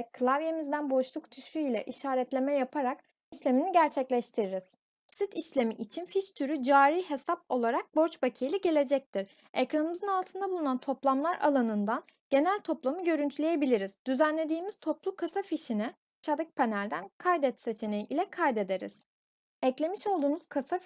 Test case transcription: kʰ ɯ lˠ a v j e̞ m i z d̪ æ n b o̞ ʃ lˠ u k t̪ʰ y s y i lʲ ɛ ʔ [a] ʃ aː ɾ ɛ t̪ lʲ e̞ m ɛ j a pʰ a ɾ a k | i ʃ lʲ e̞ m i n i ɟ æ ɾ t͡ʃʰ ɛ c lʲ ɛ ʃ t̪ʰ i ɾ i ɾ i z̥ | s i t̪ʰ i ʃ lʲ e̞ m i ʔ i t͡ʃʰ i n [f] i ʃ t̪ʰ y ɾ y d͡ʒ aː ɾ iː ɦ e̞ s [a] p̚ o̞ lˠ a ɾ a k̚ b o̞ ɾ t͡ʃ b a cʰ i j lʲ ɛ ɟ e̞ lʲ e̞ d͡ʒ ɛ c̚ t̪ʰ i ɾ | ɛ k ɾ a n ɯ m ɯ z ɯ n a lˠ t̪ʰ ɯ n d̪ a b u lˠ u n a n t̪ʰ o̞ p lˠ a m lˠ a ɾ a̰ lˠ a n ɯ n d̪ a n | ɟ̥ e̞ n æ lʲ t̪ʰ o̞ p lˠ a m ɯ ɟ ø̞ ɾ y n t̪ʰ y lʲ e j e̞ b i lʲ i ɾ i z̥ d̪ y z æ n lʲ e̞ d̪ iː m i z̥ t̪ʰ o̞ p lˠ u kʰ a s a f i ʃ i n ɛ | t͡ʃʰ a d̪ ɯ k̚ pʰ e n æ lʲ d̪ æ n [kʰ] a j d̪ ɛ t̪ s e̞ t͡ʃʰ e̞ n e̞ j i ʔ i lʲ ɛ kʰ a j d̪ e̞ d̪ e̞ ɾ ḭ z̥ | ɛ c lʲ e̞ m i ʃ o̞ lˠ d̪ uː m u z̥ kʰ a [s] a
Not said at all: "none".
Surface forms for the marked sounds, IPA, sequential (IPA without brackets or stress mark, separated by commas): i, f, a, kʰ, s